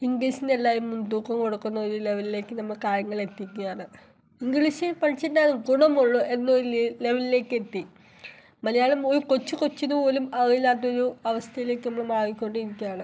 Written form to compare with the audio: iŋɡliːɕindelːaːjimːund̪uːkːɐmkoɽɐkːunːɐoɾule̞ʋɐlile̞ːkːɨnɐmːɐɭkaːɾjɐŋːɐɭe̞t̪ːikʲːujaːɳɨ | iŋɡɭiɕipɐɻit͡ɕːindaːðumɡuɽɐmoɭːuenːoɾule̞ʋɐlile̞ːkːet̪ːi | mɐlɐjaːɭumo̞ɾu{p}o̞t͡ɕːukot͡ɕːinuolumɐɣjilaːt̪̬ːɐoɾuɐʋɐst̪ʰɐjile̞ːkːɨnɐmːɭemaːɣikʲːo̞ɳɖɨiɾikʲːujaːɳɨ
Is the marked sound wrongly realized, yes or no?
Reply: yes